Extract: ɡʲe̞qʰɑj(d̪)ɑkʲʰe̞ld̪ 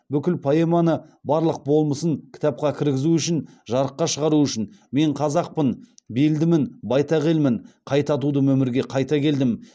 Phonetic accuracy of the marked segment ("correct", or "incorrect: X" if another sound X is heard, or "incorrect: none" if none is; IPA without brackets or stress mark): incorrect: t̪